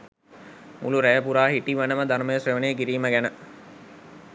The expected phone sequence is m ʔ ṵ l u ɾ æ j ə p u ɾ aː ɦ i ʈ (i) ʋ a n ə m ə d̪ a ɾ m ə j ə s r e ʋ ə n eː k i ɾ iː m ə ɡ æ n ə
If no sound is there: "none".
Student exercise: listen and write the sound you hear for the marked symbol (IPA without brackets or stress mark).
i